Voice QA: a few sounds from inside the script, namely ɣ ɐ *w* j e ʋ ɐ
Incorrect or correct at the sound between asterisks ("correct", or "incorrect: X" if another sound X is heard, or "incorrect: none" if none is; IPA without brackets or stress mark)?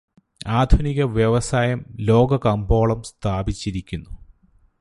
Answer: incorrect: ʋ